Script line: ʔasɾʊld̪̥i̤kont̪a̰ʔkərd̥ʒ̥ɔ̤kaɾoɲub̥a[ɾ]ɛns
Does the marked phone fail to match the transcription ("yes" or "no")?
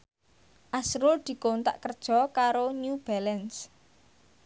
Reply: yes